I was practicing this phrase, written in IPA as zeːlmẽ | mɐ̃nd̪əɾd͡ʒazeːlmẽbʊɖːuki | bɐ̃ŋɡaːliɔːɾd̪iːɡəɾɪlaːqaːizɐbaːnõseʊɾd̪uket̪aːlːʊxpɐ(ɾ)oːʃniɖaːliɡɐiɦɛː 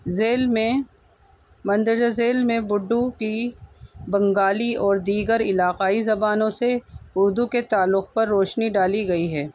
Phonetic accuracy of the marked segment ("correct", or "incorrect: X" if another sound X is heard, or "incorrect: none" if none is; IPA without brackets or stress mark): incorrect: ɾː